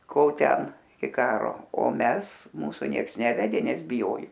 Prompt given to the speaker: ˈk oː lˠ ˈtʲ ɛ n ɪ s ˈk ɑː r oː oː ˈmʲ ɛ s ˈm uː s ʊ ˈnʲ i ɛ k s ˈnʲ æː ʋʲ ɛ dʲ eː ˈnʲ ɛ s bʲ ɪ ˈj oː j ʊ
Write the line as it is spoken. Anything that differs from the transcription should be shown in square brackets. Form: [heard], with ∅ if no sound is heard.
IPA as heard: ˈk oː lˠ ˈtʲ ɛ n ɪ [∅] ˈk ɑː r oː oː ˈmʲ ɛ s ˈm uː s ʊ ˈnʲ i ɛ k s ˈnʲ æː ʋʲ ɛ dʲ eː ˈnʲ ɛ s bʲ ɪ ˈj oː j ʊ

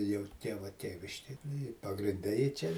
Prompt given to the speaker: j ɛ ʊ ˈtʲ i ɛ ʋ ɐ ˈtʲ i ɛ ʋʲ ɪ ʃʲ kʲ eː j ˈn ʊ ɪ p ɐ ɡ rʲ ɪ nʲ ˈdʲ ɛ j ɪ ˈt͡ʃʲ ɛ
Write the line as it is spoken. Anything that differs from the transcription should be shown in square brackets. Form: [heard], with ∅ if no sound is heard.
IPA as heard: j ɛ ʊ ˈtʲ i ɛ ʋ ɐ ˈtʲ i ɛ ʋʲ ɪ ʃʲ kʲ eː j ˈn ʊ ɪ p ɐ ɡ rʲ ɪ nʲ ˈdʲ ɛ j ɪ ˈt͡ʃʲ ɛ

